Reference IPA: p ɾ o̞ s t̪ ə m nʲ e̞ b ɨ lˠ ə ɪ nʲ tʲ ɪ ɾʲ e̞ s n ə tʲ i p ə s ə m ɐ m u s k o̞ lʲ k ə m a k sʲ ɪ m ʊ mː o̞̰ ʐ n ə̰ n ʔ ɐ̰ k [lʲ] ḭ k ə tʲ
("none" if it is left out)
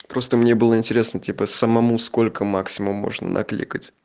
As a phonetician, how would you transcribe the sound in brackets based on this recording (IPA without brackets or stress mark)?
lʲ